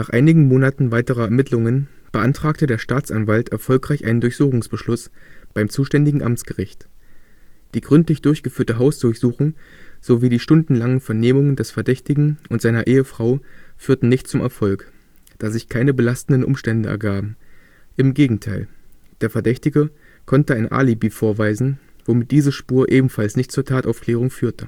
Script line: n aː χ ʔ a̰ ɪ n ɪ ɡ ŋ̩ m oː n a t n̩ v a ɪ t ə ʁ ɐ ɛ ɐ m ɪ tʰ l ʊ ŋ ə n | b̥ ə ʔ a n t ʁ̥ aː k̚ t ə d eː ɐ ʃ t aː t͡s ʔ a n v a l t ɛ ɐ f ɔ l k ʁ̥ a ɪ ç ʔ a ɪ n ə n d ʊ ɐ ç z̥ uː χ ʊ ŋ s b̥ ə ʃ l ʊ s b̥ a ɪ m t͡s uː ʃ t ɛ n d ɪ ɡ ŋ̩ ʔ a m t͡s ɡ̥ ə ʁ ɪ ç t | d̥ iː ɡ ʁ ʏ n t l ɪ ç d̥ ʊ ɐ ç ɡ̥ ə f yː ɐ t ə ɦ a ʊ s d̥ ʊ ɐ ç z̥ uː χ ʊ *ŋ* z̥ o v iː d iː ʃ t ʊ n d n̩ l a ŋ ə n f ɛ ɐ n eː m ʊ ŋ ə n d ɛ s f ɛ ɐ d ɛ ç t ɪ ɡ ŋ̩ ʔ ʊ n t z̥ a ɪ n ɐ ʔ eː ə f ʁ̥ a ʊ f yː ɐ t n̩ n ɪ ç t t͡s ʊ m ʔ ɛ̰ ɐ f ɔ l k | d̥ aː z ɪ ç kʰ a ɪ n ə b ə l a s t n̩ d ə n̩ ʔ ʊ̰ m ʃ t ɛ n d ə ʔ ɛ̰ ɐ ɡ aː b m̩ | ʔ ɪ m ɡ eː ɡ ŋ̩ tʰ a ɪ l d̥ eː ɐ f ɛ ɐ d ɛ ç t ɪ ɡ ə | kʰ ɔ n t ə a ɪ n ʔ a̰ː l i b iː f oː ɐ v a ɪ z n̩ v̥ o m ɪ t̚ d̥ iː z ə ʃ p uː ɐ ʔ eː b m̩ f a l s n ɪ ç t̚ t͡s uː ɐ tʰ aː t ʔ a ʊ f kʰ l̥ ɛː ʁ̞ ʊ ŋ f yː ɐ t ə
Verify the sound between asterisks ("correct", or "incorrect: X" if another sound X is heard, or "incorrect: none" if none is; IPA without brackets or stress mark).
correct